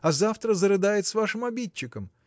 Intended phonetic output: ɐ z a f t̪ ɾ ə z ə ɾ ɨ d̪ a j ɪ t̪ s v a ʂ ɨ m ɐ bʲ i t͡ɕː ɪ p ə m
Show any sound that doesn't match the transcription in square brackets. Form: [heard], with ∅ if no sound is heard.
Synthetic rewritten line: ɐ z a f t̪ ɾ ə z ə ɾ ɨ d̪ a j ɪ t̪ s v a ʂ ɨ m ɐ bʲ i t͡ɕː ɪ [k] ə m